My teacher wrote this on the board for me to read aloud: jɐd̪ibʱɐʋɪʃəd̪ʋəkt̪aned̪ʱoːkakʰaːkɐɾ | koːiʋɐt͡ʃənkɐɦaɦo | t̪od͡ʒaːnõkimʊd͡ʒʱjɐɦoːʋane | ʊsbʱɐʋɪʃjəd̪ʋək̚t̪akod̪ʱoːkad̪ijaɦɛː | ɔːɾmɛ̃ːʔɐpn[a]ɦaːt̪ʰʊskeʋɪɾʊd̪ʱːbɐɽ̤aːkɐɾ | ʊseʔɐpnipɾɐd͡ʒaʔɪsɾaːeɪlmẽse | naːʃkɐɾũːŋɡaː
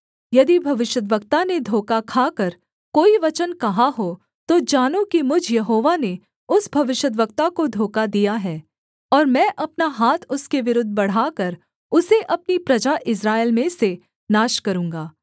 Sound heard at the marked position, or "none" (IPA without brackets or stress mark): a